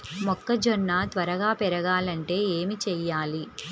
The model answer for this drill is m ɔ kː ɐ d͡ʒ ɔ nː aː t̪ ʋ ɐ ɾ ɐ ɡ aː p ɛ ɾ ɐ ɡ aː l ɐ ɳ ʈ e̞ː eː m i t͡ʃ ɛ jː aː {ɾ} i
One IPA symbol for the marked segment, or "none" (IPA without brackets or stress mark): l